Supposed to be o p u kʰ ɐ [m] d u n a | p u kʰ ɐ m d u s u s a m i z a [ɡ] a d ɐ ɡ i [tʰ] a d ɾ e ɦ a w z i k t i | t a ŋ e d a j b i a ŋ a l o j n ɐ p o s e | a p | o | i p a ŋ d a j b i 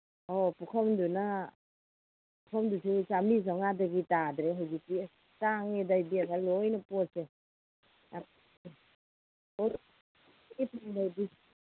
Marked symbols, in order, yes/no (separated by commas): yes, no, no